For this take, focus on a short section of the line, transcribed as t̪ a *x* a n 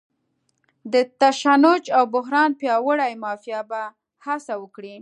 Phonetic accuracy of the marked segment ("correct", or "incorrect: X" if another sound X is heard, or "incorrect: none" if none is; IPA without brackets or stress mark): incorrect: ʃ